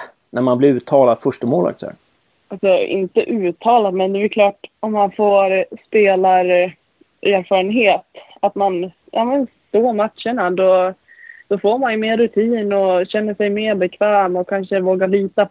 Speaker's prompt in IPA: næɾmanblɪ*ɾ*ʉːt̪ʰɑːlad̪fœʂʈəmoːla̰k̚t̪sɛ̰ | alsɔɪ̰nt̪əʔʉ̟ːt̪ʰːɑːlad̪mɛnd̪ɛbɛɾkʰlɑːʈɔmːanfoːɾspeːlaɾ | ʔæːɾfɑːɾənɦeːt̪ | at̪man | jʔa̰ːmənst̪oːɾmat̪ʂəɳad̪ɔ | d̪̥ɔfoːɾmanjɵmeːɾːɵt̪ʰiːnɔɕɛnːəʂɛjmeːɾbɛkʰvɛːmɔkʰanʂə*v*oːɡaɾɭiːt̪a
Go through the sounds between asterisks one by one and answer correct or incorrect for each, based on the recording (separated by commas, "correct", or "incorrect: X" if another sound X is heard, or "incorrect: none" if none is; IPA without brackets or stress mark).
correct, correct